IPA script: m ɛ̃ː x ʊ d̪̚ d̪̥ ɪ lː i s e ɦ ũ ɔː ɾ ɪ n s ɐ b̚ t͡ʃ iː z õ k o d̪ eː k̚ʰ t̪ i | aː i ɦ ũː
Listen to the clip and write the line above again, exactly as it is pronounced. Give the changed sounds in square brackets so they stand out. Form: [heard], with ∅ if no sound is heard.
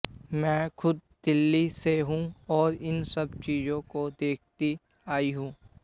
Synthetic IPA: m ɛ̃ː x ʊ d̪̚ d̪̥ ɪ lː i s e ɦ ũ ɔː ɾ ɪ n s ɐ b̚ t͡ʃ iː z õ k o d̪ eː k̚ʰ t̪ i | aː i ɦ ũː